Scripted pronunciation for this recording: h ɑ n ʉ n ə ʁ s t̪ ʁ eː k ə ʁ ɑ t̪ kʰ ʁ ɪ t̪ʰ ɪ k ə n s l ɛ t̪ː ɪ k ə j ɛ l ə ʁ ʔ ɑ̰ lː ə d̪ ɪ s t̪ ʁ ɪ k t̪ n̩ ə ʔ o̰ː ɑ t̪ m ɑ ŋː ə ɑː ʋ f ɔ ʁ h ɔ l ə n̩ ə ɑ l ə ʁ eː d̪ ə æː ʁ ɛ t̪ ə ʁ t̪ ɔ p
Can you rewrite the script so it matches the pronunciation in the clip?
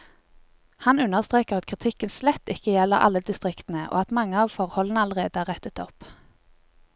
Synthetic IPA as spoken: h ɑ n ʉ n ə ʁ s t̪ ʁ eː k ə ʁ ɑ t̪ kʰ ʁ ɪ t̪ʰ ɪ k ə n s l ɛ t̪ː ɪ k ə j ɛ l ə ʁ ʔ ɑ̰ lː ə d̪ ɪ s t̪ ʁ ɪ k t̪ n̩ ə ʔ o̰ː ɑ t̪ m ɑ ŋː ə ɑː ʋ f ɔ ʁ h ɔ l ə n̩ ə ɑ l ə ʁ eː d̪ ə æː ʁ ɛ t̪ ə t̪ ɔ p